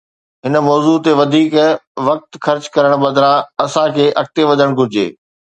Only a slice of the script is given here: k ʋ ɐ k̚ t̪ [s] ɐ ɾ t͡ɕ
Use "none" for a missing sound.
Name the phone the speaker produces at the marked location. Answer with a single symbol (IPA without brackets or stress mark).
x